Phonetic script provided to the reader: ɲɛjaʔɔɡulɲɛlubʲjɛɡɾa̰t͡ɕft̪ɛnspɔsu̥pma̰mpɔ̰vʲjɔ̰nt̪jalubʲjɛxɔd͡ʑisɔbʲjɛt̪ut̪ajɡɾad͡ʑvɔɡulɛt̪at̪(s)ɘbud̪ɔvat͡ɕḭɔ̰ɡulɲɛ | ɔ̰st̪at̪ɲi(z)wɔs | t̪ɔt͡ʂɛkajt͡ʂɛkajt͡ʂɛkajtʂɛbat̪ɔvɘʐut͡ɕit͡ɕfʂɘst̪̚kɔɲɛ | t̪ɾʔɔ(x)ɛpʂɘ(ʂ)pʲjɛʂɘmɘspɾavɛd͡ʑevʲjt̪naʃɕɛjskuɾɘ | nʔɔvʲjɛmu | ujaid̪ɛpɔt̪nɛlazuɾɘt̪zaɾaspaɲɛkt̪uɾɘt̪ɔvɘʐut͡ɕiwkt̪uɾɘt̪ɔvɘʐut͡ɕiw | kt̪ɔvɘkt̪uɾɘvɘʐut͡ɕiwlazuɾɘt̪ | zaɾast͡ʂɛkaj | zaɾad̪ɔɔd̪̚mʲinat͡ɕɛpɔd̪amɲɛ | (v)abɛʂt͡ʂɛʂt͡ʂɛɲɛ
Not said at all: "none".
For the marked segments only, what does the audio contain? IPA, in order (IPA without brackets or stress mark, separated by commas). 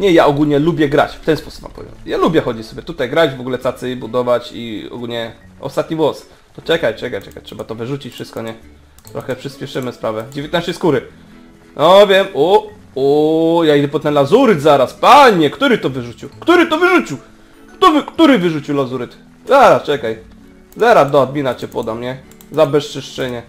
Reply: s, v, x, s, z